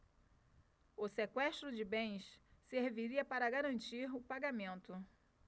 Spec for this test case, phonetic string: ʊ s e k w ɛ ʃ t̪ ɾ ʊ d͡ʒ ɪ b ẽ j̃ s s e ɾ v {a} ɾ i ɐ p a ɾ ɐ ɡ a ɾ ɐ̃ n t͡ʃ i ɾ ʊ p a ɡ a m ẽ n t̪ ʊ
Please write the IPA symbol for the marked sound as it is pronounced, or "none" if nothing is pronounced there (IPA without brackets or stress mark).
i